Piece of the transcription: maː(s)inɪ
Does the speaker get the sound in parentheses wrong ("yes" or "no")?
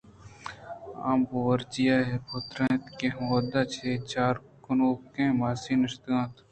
no